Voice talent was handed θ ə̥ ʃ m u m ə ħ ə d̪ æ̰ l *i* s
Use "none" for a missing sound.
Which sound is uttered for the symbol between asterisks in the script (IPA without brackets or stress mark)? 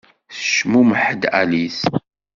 i